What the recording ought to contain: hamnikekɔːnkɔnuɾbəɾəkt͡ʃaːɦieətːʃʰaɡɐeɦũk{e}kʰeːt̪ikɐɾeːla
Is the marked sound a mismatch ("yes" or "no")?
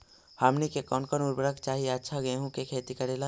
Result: no